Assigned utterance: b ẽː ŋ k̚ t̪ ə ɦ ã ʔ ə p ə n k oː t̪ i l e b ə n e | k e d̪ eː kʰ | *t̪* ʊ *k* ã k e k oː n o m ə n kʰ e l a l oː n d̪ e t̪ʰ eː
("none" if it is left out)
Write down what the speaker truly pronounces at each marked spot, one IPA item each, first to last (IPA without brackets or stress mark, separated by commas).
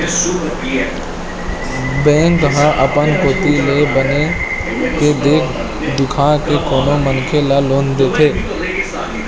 d̪, kʰ